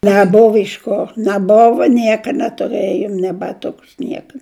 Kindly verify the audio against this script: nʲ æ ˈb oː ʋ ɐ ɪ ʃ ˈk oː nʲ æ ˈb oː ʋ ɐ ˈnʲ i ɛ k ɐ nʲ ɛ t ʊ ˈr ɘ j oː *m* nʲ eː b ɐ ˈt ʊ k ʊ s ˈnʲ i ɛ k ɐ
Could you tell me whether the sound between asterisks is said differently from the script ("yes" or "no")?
no